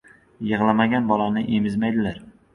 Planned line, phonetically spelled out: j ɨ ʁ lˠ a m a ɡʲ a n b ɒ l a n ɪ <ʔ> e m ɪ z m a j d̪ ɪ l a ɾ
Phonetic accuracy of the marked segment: correct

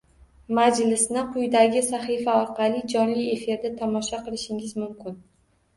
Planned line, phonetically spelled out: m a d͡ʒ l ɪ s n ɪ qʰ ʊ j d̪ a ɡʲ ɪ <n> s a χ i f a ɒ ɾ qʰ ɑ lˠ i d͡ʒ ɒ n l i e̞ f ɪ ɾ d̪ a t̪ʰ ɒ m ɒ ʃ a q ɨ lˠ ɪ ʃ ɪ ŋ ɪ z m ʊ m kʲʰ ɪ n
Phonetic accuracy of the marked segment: incorrect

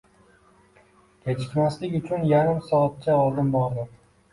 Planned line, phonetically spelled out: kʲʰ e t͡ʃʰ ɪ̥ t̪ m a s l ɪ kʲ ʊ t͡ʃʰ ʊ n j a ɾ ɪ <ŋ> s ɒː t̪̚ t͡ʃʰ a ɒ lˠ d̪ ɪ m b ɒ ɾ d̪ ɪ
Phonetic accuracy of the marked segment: incorrect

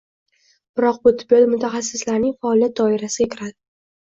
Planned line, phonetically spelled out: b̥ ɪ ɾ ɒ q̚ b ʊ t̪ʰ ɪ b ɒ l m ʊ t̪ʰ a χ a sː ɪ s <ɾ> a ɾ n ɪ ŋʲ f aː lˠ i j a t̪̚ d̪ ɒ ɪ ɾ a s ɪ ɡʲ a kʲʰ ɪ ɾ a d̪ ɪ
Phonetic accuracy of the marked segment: incorrect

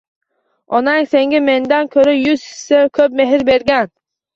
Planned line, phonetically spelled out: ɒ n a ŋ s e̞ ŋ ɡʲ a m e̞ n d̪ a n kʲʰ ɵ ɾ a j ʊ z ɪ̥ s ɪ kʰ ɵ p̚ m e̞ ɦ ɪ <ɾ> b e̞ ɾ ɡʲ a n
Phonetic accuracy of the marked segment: correct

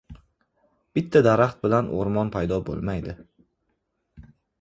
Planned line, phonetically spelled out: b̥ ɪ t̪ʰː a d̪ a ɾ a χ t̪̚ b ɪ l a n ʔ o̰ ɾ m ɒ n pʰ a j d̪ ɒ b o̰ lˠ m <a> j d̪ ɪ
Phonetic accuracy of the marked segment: correct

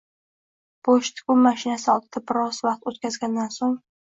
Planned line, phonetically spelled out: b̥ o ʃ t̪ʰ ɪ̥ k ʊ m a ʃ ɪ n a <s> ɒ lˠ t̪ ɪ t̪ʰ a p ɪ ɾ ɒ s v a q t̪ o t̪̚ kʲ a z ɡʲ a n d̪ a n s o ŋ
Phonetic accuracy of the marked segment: correct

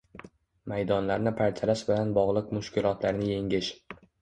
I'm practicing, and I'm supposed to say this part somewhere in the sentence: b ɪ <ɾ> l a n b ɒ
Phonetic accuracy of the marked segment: incorrect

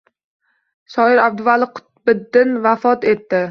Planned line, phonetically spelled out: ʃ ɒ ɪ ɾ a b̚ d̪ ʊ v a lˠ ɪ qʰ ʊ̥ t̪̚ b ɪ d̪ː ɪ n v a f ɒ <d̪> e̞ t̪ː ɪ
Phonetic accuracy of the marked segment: incorrect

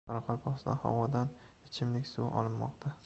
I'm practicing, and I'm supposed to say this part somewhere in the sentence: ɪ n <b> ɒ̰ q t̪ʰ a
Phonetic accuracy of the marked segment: incorrect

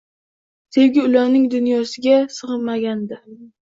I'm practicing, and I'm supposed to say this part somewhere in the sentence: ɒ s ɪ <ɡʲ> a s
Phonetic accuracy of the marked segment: correct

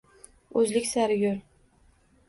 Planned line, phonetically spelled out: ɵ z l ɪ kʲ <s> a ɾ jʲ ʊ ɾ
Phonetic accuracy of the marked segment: correct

